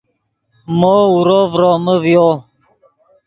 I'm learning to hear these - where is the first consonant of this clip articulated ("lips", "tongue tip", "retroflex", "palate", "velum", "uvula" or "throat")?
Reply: lips